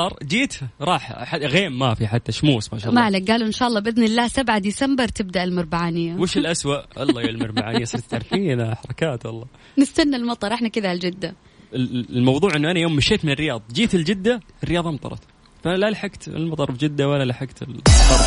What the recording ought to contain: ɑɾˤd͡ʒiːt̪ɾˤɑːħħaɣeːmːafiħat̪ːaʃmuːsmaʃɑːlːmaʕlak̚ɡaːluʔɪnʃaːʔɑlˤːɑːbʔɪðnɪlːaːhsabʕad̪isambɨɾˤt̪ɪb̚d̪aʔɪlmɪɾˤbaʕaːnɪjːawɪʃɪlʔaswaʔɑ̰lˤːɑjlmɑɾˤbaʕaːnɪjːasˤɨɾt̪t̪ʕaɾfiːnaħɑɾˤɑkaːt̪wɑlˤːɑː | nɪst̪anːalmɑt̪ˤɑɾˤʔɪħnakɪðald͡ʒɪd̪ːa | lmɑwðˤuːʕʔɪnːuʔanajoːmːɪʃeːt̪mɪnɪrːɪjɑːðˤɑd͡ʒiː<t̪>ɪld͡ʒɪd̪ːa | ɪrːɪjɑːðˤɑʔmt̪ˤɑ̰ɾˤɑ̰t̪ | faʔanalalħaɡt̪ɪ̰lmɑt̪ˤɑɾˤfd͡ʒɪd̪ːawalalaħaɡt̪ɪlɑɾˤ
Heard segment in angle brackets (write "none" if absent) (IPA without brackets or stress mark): t̪